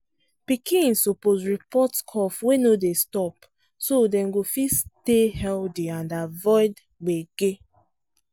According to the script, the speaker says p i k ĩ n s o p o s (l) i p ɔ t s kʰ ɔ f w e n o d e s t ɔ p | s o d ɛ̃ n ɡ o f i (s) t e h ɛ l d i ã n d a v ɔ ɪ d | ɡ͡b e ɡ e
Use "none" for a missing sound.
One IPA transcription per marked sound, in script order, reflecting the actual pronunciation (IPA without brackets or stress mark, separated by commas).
ɹ, s